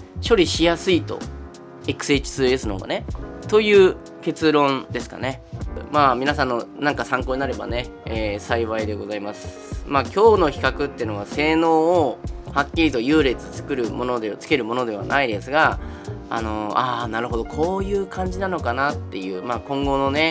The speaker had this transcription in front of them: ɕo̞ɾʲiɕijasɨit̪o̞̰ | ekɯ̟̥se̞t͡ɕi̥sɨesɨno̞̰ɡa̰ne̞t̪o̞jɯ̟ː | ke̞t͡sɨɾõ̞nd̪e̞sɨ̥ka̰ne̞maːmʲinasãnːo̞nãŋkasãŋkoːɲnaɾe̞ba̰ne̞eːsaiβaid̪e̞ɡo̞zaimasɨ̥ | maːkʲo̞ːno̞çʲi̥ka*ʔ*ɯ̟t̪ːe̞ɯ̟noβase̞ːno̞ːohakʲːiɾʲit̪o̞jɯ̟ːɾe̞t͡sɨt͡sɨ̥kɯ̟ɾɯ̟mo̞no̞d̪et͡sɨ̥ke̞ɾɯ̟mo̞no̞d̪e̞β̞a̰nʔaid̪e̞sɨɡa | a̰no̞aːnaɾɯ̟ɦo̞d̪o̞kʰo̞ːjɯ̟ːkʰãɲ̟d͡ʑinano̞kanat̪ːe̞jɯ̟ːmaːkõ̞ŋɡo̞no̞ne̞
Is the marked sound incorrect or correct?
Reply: incorrect